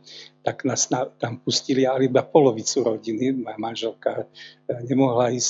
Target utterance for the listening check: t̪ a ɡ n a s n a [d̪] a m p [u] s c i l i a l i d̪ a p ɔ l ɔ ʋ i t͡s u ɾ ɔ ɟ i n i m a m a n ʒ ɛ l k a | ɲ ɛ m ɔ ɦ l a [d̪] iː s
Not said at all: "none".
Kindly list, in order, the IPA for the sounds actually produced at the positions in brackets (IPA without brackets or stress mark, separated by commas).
t̪, u, none